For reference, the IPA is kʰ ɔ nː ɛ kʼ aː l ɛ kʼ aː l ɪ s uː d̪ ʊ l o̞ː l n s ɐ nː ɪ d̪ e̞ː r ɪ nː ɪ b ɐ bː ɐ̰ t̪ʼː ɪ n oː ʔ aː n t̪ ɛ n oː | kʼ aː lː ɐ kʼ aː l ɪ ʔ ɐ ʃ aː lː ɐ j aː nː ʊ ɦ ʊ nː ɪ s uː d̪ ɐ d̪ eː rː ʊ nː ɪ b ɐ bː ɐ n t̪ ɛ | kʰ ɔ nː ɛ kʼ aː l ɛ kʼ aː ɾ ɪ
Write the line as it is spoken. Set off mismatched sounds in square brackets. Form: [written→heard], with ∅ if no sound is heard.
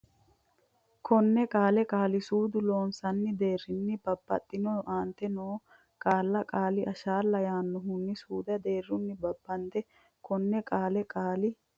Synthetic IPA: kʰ ɔ nː ɛ kʼ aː l ɛ kʼ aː l ɪ s uː d̪ ʊ l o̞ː [l→∅] n s ɐ nː ɪ d̪ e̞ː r ɪ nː ɪ b ɐ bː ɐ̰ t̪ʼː ɪ n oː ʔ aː n t̪ ɛ n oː | kʼ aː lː ɐ kʼ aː l ɪ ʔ ɐ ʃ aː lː ɐ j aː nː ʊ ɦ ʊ nː ɪ s uː d̪ ɐ d̪ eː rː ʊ nː ɪ b ɐ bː ɐ n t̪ ɛ | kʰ ɔ nː ɛ kʼ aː l ɛ kʼ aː [ɾ→l] ɪ